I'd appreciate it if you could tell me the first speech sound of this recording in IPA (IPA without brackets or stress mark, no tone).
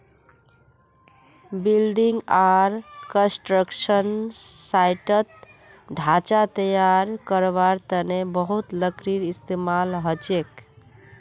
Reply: b